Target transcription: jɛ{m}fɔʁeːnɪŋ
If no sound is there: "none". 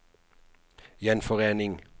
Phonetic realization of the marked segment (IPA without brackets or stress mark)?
n